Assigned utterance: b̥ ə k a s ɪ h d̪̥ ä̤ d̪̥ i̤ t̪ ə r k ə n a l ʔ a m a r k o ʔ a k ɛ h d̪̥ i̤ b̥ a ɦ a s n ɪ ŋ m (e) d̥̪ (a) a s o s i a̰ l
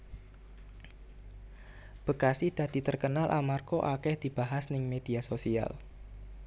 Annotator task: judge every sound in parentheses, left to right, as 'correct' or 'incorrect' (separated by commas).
correct, incorrect